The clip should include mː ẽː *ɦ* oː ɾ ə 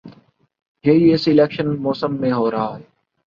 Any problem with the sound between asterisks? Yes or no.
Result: no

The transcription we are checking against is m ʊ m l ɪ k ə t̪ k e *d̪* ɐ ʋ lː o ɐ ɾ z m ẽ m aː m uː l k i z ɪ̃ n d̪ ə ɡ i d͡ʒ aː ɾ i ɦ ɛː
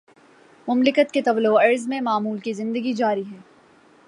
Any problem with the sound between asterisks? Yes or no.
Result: yes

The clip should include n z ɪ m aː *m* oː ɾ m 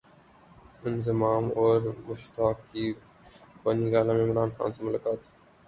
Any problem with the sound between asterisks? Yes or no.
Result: no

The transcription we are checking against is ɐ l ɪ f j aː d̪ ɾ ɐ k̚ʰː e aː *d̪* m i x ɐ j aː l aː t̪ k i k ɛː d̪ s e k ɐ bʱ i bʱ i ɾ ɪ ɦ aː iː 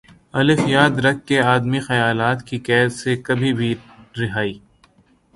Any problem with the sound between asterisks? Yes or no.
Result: no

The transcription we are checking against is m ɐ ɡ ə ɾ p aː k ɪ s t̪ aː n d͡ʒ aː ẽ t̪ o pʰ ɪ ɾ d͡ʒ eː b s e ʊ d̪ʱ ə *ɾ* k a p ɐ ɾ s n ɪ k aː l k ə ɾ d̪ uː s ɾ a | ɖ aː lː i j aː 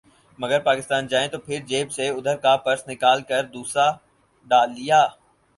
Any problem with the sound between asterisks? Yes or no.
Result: no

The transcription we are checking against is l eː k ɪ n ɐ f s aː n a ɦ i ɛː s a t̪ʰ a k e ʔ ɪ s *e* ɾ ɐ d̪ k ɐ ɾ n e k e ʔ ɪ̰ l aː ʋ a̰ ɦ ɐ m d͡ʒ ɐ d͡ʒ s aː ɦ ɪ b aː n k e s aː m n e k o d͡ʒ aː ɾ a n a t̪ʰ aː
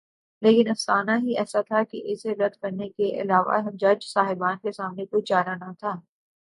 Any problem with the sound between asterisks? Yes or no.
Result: no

